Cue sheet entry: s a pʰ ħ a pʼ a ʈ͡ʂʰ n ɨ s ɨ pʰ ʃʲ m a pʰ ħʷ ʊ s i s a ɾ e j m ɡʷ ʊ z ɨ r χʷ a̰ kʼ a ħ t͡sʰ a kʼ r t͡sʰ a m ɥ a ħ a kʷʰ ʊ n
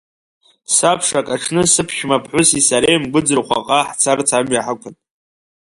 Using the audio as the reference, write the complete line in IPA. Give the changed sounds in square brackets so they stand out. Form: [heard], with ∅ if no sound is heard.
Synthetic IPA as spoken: s a pʰ [ʂ] a [kʼ] a ʈ͡ʂʰ n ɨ s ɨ pʰ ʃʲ m a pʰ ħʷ ʊ s i s a ɾ e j m ɡʷ ʊ [d͡z] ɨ r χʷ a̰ [qʼ] a ħ t͡sʰ a [∅] r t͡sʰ a m ɥ a ħ a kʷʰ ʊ n